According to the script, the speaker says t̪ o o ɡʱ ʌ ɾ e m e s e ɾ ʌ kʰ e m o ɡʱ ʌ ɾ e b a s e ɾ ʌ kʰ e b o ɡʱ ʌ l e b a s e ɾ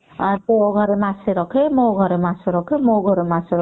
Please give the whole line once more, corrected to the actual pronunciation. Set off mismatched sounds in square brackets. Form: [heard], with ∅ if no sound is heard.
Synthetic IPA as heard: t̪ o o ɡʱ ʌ ɾ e m [a] s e ɾ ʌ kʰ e m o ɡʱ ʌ ɾ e [m] a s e ɾ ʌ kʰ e [m] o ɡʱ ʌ [ɾ] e [m] a s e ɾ

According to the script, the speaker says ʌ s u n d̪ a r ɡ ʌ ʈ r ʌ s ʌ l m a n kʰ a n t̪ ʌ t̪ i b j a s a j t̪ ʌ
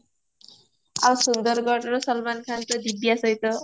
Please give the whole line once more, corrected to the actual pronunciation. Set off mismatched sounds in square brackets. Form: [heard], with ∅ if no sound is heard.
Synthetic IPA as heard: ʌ s u n d̪ [ʌ] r ɡ ʌ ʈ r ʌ s ʌ l m a n kʰ a n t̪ ʌ [d̪] i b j a s [ʌ] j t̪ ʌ

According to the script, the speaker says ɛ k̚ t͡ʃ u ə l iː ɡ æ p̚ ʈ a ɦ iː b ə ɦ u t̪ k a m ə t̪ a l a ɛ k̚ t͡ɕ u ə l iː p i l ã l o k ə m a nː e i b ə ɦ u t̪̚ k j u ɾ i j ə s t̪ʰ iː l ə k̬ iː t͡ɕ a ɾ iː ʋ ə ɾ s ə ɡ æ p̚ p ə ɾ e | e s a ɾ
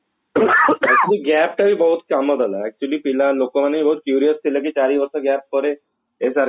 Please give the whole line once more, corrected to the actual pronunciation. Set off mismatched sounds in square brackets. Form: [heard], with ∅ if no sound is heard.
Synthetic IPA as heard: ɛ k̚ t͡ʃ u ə l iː ɡ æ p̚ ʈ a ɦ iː b ə ɦ u t̪ k a m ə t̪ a l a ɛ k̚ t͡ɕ u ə l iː p i l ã l o k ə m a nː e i b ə ɦ u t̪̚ k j u ɾ i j ə s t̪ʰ [i] l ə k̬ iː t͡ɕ a ɾ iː ʋ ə ɾ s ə ɡ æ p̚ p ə ɾ e | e s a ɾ

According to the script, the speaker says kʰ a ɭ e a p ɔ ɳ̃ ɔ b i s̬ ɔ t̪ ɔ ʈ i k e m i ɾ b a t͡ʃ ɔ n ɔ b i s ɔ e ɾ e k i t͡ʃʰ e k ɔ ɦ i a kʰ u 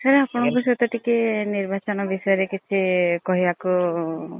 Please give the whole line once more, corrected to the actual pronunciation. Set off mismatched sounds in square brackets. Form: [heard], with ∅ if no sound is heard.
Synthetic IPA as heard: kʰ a [ɾ] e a p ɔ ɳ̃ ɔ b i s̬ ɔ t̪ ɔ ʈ i k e [n] i ɾ b a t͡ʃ ɔ n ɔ b i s ɔ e ɾ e k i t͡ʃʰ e k ɔ ɦ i a [k] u

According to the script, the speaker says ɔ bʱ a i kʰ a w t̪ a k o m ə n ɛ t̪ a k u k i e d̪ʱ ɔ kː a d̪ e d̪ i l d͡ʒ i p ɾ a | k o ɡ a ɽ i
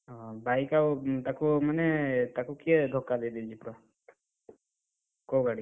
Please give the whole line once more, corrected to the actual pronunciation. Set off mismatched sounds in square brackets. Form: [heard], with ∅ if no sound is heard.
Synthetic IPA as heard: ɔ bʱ a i [k] a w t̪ a k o m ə n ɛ t̪ a k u k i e d̪ʱ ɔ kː a d̪ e d̪ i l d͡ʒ i p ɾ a | k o ɡ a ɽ i

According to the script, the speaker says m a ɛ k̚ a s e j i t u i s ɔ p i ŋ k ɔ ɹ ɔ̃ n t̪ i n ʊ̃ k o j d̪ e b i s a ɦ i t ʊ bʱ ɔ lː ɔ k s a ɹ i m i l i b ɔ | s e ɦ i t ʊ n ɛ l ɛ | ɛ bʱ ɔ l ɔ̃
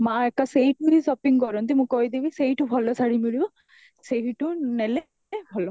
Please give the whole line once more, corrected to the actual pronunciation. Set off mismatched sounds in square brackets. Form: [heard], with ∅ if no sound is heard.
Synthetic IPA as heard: m a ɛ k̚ a s e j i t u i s ɔ p i ŋ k ɔ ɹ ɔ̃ n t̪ i [m] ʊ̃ k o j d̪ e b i s [e] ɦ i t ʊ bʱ ɔ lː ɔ [∅] s a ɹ i m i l i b ɔ | s e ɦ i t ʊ n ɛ l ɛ | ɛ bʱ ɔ l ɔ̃

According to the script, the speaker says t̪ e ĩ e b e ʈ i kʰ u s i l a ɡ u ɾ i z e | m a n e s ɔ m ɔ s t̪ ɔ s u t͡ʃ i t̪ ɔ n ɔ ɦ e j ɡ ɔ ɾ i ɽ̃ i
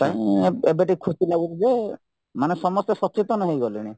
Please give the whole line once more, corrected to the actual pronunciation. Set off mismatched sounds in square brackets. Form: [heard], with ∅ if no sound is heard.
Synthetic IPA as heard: t̪ [a] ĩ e b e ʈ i kʰ u s i l a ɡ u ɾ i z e | m a n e s ɔ m ɔ s t̪ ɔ s [ɔ] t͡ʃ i t̪ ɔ n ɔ ɦ e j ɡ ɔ [l] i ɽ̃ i

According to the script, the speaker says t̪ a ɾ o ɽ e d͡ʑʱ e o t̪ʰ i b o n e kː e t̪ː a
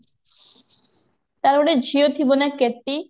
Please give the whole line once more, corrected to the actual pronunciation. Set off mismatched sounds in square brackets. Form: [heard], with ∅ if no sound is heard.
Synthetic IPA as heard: t̪ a ɾ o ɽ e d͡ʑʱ [i] o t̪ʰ i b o n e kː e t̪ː [i]

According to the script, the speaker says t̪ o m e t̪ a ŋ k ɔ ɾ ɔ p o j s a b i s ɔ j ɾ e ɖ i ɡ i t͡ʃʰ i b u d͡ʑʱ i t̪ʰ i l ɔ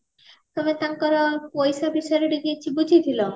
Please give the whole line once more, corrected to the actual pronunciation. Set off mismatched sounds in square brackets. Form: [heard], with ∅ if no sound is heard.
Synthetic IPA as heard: t̪ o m e t̪ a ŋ k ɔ ɾ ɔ p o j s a b i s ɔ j ɾ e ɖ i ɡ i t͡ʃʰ i b u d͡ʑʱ i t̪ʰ i l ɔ

